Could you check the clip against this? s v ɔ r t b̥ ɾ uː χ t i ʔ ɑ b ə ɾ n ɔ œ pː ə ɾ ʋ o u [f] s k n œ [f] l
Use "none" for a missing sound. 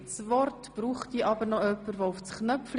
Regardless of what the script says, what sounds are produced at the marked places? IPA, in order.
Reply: f, f

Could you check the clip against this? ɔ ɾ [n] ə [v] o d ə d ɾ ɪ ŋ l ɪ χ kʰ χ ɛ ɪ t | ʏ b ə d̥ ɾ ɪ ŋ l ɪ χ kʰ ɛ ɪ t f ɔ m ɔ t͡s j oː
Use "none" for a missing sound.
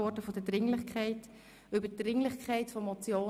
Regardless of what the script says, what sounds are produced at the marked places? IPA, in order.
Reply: d, f

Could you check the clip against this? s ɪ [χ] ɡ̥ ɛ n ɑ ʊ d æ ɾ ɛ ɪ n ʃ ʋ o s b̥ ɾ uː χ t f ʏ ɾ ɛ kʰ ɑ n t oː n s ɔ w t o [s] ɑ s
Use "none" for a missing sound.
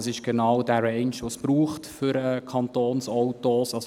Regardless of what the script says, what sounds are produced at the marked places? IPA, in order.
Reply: ʃ, s

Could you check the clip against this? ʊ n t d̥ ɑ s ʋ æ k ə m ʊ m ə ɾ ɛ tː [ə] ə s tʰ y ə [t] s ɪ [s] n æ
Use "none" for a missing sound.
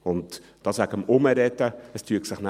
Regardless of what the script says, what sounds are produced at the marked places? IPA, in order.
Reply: ə, k, χ

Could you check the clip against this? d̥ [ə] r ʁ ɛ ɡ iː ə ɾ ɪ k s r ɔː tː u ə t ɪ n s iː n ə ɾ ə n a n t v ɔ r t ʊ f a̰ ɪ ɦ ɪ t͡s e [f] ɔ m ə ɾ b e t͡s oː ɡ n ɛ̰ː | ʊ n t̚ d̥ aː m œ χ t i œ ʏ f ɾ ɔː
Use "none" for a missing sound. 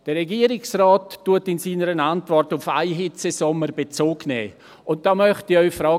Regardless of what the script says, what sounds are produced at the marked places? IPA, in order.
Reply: ə, s

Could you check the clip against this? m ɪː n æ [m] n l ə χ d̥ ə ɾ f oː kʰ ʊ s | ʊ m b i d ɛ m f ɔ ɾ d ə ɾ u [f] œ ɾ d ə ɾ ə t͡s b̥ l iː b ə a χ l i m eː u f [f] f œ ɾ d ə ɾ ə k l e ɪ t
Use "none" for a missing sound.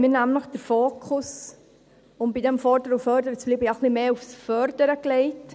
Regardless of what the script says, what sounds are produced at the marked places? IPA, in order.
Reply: m, f, s

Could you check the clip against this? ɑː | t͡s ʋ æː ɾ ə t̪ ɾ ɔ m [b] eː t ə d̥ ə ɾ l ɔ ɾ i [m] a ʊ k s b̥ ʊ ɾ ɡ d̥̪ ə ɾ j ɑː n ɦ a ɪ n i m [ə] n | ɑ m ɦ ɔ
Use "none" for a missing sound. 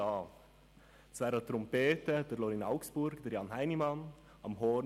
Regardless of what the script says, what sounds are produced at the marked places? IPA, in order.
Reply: p, n, ɑ

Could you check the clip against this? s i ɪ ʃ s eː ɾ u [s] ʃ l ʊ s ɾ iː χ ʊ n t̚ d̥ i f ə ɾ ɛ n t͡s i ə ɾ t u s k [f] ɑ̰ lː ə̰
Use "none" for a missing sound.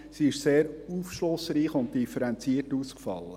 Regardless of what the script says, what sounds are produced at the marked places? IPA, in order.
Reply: f, f

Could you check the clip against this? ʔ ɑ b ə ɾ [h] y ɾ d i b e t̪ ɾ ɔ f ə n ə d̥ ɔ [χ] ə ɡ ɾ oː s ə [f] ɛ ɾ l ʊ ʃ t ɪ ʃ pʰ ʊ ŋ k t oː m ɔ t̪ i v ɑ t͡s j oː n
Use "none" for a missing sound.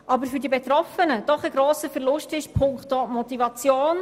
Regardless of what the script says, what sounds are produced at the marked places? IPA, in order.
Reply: f, χ, f

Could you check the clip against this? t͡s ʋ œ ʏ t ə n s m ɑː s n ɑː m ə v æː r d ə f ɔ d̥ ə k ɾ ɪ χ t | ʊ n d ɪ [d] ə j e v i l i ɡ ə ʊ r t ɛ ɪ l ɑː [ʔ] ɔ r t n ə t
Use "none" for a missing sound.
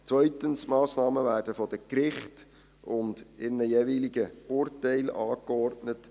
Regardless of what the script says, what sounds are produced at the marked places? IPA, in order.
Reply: n, k

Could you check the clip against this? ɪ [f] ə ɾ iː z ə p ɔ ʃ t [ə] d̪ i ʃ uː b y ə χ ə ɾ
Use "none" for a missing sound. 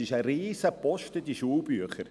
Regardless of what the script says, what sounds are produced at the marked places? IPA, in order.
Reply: ʃ, ə

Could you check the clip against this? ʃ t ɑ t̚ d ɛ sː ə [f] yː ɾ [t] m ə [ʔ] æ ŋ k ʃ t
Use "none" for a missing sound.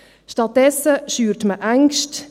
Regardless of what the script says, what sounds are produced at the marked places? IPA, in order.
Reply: ʃ, t, ʔ

